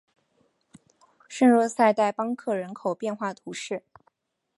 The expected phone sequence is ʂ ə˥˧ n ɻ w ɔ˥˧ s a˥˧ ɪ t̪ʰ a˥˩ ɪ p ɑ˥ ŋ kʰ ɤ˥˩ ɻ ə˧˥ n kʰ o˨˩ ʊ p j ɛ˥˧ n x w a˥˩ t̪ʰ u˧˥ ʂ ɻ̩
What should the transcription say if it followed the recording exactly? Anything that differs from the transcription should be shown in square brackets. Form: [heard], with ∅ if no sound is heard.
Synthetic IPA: ʂ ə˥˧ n ɻ w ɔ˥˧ s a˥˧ ɪ [t̪] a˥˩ ɪ p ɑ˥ ŋ kʰ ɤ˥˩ ɻ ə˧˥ n kʰ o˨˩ ʊ p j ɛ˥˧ n x w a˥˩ t̪ʰ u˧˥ ʂ ɻ̩